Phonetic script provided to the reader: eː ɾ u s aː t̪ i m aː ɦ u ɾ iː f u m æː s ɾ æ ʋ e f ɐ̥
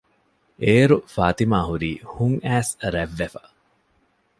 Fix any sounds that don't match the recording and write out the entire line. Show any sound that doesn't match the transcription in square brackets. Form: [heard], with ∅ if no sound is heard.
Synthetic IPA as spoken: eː ɾ u [f] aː t̪ i m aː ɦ u ɾ iː [h] u [ŋ] æː s ɾ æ [ʋː] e f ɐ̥